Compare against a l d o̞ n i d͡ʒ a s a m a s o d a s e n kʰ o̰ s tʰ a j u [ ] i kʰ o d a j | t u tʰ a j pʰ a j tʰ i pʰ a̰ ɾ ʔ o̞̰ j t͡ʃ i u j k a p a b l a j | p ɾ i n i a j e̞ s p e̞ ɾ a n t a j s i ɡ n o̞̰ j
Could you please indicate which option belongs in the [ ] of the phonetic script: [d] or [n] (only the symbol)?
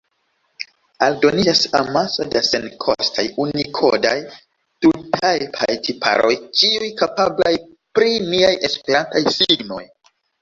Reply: n